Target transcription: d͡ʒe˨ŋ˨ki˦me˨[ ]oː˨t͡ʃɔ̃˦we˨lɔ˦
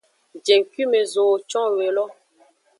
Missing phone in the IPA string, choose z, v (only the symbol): z